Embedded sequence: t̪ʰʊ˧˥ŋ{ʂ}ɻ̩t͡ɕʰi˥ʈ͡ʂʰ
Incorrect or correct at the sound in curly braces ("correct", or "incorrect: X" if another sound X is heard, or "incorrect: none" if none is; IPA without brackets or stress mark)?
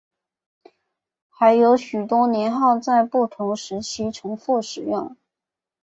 correct